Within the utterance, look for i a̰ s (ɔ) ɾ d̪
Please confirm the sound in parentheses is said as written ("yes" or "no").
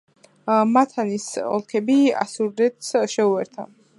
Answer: no